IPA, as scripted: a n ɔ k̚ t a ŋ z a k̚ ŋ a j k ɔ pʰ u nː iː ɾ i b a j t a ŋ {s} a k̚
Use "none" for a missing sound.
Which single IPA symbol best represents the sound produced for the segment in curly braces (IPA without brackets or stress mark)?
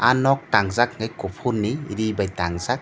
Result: z